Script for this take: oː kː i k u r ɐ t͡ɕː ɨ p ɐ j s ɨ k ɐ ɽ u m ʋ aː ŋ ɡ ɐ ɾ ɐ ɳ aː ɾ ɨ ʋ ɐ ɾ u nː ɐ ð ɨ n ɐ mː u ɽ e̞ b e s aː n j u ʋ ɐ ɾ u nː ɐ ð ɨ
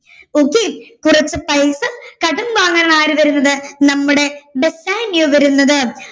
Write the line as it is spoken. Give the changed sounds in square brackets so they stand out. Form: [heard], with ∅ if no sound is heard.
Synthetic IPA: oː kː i k u r ɐ t͡ɕː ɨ p ɐ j s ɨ k ɐ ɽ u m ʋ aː ŋ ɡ ɐ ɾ ɐ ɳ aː ɾ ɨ ʋ ɐ ɾ u nː ɐ ð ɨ n ɐ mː u ɽ e̞ b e s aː n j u ʋ ɐ ɾ u nː ɐ ð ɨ